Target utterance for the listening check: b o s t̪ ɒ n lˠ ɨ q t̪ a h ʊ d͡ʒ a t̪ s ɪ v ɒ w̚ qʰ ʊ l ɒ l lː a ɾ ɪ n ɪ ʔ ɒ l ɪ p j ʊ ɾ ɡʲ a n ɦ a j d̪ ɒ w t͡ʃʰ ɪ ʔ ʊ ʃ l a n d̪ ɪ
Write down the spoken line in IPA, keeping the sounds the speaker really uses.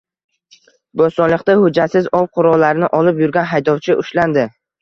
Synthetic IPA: b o s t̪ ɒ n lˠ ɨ q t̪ a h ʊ d͡ʒ a t̪ s ɪ z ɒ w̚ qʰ ʊ ɾ ɒ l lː a ɾ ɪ n ɪ ʔ ɒ l ɪ p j ʊ ɾ ɡʲ a n ɦ a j d̪ ɒ w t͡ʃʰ ɪ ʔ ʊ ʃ l a n d̪ ɪ